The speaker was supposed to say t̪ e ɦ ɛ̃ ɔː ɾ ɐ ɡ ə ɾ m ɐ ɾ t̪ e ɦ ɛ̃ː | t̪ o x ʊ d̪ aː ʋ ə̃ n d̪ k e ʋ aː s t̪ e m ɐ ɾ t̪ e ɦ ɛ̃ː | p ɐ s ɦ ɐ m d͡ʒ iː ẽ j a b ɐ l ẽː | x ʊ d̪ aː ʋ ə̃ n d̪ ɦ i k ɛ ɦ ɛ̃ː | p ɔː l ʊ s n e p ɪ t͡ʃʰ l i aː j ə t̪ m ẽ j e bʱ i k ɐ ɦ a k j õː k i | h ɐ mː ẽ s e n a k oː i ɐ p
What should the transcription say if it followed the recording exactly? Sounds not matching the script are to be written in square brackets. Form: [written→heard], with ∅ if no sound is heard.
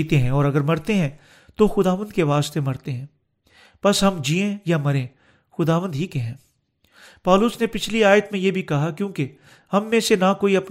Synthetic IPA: t̪ e ɦ ɛ̃ ɔː ɾ ɐ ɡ ə ɾ m ɐ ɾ t̪ e ɦ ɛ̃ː | t̪ o x ʊ d̪ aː ʋ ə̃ n d̪ k e ʋ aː s t̪ e m ɐ ɾ t̪ e ɦ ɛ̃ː | p ɐ s ɦ ɐ m d͡ʒ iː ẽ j a [b→m] ɐ [l→ɾ] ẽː | x ʊ d̪ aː ʋ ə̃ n d̪ ɦ i k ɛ ɦ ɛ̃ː | p ɔː l ʊ s n e p ɪ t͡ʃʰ l i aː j ə t̪ m ẽ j e bʱ i k ɐ ɦ a k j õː k [i→e] | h ɐ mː ẽ s e n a k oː i ɐ p